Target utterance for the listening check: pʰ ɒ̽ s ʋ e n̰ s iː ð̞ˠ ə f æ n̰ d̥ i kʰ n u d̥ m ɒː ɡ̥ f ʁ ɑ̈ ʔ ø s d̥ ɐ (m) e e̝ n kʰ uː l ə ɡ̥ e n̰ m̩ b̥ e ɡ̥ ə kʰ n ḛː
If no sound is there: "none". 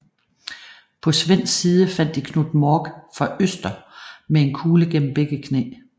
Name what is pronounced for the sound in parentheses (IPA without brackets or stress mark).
m